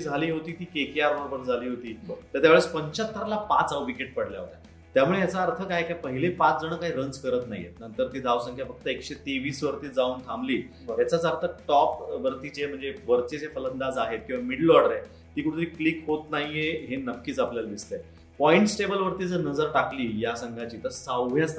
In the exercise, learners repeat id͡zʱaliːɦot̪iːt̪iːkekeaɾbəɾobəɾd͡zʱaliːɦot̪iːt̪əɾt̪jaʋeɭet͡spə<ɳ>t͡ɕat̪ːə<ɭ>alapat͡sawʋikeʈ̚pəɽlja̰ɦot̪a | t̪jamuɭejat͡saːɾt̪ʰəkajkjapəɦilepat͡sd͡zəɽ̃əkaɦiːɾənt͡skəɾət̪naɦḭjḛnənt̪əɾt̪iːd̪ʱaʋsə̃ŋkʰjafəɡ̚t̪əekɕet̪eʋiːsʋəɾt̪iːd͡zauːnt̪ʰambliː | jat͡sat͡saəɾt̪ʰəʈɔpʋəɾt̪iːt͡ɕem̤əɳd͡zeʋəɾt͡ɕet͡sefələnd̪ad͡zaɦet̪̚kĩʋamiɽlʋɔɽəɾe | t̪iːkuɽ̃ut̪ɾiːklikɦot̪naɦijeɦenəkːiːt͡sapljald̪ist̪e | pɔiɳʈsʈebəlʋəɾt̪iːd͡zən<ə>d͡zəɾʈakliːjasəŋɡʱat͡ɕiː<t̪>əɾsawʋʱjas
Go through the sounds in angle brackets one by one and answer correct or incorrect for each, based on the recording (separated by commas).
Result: incorrect, incorrect, correct, correct